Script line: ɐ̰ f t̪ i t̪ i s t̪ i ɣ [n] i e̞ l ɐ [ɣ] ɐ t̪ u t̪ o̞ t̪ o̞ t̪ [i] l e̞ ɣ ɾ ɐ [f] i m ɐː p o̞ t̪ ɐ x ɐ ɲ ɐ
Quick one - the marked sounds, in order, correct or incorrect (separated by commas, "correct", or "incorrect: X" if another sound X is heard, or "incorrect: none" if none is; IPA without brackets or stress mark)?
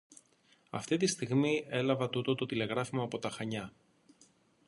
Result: incorrect: m, incorrect: v, correct, correct